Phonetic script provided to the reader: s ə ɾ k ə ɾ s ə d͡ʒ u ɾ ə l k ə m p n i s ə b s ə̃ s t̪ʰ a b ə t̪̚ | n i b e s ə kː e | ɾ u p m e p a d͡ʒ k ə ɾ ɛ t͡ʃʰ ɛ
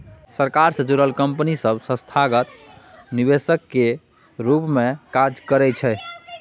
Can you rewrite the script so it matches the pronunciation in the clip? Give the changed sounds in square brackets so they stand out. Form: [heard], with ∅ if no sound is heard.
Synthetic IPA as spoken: s ə ɾ k [a] ɾ s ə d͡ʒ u ɾ ə l k ə m p n i s ə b s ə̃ s t̪ʰ a [ɡ] ə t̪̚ | n i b e s ə kː e | ɾ u p m e [k] a d͡ʒ k ə ɾ ɛ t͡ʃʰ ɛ